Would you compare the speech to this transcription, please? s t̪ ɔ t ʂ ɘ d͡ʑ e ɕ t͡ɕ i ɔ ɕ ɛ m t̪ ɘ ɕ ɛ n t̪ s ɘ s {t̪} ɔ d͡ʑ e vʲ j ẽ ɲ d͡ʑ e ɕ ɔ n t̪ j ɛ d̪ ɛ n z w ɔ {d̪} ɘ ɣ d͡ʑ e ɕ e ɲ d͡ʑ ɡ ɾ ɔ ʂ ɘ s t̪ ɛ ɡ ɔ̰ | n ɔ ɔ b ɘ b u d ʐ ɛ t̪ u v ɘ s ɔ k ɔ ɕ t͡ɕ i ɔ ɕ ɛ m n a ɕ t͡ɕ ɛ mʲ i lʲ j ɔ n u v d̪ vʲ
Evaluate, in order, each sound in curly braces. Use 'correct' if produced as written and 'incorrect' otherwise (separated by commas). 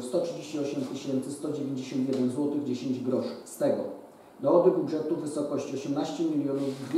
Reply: correct, incorrect